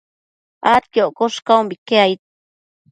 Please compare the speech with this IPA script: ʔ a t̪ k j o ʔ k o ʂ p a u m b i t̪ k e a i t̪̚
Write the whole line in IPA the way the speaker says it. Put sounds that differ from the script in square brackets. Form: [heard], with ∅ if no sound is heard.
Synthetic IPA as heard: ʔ a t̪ k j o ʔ k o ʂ [k] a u m b i [∅] k e a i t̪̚